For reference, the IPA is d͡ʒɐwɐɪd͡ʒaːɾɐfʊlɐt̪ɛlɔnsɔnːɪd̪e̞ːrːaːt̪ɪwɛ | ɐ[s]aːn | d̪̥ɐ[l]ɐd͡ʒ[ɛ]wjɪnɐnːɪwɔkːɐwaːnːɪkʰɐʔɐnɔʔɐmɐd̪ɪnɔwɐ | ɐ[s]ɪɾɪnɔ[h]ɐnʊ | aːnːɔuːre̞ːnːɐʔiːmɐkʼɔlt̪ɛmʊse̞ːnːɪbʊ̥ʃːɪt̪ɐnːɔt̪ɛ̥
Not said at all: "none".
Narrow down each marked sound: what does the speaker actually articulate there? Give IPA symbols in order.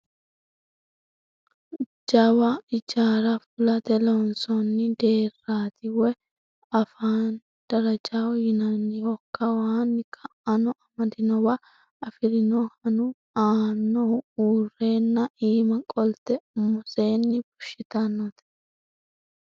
f, ɾ, a, f, h

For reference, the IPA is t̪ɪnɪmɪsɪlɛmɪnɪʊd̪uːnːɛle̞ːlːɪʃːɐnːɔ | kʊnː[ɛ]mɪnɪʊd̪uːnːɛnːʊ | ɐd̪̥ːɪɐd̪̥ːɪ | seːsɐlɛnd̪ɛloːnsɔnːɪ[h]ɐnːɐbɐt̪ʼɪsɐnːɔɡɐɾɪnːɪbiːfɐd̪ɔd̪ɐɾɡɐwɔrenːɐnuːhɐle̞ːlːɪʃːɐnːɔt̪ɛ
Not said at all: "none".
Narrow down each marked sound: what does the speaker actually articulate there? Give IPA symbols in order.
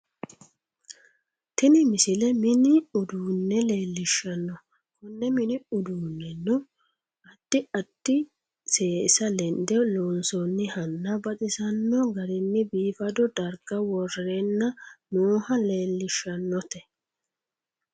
ɛ, h

